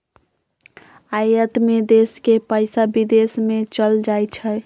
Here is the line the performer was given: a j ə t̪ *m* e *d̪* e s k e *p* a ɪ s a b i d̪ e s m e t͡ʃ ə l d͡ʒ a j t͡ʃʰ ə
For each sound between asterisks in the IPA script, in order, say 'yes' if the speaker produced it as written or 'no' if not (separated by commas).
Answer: yes, yes, yes